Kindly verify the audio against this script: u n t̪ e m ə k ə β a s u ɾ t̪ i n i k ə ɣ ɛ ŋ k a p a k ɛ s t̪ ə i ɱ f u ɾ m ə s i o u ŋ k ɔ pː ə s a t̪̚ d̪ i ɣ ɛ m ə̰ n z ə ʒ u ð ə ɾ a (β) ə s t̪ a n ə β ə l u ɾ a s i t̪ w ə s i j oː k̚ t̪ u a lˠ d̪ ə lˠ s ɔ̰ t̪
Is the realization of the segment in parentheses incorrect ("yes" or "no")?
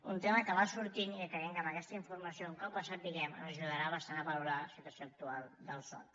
no